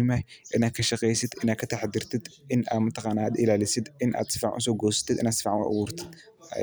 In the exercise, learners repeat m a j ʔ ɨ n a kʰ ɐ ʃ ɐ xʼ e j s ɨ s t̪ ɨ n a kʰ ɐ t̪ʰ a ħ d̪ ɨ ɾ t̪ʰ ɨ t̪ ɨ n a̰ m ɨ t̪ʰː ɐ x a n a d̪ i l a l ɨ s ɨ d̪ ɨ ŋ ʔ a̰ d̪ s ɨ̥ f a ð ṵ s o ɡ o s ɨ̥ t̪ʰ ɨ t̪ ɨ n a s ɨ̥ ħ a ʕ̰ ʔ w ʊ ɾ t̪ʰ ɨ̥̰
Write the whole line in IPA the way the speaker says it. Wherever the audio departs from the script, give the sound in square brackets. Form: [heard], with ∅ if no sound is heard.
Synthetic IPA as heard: m a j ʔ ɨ n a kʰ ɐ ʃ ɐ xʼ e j s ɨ [∅] t̪ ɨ n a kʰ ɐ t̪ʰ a ħ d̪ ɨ ɾ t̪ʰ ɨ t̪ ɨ n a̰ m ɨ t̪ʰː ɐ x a n a d̪ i l a l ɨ s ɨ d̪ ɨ [n] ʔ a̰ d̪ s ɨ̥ f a [ʕ] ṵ s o ɡ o s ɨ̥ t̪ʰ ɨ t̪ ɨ n a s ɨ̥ [f] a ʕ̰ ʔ w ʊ ɾ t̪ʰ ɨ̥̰